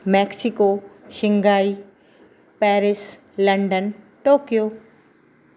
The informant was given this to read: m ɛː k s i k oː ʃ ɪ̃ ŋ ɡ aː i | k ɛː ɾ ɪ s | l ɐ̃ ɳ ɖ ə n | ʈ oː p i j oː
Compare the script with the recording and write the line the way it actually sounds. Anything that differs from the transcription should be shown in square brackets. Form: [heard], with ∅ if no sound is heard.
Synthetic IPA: m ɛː k s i k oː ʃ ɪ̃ ŋ ɡ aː i | [p] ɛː ɾ ɪ s | l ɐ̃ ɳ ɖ ə n | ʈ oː [k] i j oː